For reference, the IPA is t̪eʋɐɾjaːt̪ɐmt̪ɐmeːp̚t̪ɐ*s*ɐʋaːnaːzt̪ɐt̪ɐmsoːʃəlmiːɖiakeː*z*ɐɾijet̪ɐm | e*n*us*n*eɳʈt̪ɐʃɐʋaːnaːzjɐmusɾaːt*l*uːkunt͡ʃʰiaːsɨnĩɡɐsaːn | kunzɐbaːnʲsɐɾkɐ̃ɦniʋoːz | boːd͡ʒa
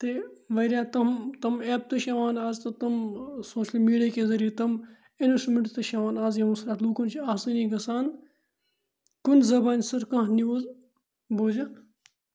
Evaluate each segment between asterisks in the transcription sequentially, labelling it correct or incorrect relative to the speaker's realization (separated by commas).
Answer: incorrect, correct, correct, incorrect, correct